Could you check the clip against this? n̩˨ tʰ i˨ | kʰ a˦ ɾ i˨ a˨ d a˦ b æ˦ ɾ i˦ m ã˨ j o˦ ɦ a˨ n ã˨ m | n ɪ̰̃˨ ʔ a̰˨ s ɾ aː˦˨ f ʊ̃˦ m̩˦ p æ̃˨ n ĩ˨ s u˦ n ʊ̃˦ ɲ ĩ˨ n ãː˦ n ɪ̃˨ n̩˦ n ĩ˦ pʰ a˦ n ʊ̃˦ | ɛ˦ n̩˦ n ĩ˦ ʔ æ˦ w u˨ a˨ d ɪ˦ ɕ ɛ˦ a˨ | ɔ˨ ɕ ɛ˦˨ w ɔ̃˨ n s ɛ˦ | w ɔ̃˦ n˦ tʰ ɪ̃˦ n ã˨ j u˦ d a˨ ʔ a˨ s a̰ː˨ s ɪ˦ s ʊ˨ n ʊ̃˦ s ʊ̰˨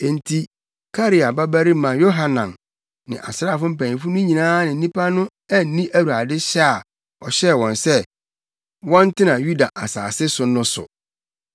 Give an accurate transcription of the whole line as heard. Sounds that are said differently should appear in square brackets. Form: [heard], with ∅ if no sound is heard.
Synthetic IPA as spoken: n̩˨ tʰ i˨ | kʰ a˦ ɾ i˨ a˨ [b] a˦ b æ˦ ɾ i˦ m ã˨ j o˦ ɦ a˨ n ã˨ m | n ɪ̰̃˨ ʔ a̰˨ s ɾ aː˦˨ f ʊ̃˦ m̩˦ p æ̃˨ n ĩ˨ [f] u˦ n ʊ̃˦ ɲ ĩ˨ n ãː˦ n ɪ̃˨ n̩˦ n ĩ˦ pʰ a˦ n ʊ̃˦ | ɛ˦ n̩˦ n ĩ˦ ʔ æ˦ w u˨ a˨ d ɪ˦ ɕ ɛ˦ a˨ | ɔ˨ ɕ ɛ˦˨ w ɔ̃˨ n s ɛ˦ | w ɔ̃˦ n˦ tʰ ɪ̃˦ n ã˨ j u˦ d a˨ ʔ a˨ s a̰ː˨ s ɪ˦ s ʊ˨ n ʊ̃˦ s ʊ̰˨

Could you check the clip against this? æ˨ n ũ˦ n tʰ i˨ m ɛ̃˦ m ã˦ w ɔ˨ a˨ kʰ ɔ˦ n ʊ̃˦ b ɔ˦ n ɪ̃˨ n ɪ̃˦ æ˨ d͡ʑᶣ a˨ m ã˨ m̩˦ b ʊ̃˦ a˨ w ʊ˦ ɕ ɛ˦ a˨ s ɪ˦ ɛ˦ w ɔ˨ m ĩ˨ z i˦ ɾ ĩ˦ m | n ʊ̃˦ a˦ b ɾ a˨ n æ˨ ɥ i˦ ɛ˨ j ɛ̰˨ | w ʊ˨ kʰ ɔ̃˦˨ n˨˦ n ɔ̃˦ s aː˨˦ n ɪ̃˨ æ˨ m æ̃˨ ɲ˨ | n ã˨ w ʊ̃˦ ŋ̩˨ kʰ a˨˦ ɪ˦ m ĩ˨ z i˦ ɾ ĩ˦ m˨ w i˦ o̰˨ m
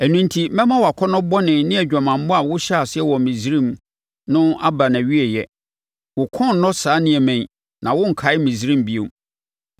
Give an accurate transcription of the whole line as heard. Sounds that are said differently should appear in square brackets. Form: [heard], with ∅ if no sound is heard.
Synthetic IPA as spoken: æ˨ n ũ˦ n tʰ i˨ m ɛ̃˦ m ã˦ w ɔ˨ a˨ kʰ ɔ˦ n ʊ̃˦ b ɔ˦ n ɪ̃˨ n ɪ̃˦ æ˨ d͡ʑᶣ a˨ m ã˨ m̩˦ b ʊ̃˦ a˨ w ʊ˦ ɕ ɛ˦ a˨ s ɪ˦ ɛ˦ w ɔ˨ m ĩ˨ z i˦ ɾ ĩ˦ m | n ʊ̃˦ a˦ b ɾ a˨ n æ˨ ɥ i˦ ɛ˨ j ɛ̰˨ | w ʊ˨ kʰ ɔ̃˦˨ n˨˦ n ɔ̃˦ s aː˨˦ n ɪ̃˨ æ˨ m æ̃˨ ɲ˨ | n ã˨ w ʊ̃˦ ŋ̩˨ kʰ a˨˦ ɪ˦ m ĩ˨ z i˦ ɾ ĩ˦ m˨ [b] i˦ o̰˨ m

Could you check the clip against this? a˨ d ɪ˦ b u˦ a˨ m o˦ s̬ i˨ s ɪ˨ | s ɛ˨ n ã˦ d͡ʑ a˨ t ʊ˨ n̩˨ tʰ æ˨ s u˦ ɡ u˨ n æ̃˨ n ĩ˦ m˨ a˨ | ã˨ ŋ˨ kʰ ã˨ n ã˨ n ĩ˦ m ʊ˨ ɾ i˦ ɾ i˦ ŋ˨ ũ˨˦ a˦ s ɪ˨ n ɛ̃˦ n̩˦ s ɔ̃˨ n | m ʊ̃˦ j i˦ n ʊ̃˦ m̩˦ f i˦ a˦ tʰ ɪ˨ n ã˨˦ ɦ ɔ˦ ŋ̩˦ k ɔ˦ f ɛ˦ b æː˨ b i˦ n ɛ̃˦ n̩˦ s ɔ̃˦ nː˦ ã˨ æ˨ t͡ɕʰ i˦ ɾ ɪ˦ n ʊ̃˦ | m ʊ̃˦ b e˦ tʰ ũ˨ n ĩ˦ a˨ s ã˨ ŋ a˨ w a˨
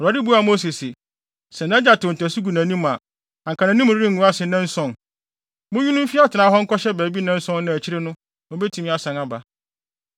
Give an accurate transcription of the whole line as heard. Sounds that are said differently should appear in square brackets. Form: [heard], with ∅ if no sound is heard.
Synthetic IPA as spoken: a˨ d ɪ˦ b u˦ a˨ m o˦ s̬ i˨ s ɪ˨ | s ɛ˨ n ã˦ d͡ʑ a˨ t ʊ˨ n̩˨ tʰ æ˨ s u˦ ɡ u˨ n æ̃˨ n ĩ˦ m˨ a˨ | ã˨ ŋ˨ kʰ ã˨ n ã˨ n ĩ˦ m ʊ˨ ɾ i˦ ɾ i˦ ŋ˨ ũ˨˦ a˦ s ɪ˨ n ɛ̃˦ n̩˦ s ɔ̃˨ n | m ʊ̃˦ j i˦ n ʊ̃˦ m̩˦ f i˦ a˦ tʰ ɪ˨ n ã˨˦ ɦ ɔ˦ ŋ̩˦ k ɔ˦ [ɕ] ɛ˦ b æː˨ b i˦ n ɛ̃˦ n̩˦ s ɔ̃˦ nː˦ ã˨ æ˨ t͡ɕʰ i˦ ɾ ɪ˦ n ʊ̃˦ | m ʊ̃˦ b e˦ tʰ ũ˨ [m] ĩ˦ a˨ s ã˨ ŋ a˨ [b] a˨

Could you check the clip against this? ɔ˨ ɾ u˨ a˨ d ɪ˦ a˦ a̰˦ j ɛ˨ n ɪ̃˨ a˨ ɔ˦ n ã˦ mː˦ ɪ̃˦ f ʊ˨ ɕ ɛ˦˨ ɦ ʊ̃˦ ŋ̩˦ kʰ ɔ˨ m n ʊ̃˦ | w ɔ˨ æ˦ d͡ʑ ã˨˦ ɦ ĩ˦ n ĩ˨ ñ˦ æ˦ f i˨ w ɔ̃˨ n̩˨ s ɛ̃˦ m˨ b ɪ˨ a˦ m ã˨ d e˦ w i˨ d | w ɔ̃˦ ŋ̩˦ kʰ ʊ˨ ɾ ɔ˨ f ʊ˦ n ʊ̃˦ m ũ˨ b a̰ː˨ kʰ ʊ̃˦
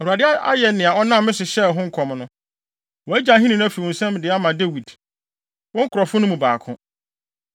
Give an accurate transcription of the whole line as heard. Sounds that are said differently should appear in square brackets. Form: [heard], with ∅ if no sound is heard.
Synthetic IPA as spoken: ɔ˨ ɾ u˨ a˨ d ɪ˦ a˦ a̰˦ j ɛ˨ n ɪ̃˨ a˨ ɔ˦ n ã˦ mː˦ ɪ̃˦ [s] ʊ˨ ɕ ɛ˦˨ ɦ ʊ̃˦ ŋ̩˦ kʰ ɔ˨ m n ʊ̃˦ | w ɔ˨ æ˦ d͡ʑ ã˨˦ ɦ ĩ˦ n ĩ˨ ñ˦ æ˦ f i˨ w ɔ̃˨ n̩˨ s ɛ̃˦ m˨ [d] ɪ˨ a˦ m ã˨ d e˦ w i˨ d | w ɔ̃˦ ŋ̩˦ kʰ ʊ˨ ɾ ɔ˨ f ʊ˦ n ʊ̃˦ m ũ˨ b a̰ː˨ kʰ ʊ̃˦

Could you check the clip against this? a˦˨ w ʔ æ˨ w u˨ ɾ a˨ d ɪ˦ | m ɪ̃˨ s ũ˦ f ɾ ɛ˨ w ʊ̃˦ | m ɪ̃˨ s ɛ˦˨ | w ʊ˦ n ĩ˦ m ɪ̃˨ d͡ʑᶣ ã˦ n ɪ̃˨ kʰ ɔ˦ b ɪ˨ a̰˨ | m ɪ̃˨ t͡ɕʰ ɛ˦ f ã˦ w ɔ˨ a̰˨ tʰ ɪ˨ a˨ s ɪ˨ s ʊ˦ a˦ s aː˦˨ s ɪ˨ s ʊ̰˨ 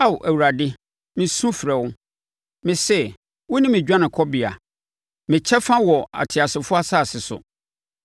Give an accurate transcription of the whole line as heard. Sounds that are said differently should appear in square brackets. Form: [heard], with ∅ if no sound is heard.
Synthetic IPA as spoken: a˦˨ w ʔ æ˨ w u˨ ɾ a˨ d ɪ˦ | m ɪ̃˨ s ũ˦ f ɾ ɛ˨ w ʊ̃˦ | m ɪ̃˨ s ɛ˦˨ | w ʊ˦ n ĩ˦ m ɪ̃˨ d͡ʑᶣ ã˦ n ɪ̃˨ kʰ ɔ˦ b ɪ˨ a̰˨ | m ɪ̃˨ t͡ɕʰ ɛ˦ f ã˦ w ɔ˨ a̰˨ tʰ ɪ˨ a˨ s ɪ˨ [f] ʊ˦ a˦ s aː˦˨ s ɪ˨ s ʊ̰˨

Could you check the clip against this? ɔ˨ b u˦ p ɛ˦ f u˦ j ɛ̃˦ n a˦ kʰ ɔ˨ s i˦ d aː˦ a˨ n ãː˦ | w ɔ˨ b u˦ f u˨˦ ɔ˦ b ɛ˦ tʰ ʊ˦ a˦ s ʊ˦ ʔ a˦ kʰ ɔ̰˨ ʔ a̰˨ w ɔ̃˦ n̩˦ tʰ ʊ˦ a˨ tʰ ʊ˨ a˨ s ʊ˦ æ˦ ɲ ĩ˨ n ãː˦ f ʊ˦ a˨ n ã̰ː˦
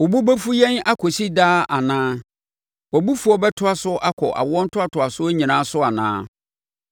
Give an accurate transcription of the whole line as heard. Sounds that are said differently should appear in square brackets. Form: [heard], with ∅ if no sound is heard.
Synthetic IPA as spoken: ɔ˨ b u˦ [b] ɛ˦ f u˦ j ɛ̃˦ n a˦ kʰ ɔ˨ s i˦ d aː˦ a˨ n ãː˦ | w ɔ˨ b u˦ f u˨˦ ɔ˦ b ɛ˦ tʰ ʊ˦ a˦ s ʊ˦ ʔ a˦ kʰ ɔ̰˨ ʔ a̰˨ w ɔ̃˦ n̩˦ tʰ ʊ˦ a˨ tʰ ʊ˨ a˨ s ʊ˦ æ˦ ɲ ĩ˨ n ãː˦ [s] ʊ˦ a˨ n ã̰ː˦

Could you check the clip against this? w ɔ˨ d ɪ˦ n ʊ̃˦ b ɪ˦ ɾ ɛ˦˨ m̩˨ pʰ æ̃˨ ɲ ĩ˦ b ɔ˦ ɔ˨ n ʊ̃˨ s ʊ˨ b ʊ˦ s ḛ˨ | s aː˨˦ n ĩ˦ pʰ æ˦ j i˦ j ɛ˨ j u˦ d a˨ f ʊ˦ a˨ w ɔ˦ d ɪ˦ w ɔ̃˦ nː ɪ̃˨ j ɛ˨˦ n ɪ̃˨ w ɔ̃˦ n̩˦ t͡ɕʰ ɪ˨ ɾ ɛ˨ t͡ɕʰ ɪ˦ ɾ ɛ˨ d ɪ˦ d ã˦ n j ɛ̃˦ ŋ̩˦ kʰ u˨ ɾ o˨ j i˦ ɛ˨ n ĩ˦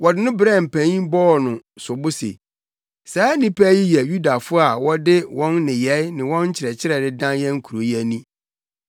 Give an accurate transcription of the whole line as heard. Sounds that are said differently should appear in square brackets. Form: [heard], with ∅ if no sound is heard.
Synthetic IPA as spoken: w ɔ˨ d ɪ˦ n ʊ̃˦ b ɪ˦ ɾ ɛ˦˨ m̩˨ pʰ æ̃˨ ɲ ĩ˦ b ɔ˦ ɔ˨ n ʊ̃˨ s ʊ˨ b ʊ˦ s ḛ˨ | s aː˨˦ n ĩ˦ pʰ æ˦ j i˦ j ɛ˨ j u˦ d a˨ f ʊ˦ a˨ w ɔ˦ d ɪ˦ w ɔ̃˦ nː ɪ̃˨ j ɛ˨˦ n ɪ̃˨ w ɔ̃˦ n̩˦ t͡ɕʰ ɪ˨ ɾ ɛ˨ t͡ɕʰ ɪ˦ ɾ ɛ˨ d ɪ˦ d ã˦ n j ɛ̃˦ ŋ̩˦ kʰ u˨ ɾ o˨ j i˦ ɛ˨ n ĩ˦

